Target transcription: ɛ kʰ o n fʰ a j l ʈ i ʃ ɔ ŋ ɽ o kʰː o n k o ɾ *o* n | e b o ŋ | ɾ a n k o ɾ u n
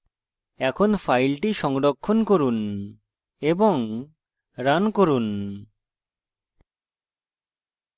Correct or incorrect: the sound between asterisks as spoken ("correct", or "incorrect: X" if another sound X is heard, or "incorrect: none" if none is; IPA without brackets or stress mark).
incorrect: u